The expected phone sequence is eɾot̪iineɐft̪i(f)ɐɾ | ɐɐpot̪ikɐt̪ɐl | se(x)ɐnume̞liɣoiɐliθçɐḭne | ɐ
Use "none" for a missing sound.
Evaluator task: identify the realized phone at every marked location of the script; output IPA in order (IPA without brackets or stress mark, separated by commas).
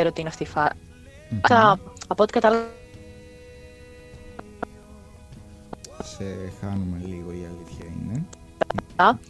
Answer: f, x